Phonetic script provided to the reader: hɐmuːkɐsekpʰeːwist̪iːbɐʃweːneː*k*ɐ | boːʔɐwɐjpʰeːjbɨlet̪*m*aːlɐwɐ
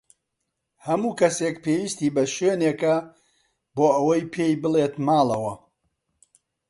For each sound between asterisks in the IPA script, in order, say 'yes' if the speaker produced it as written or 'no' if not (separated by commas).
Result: yes, yes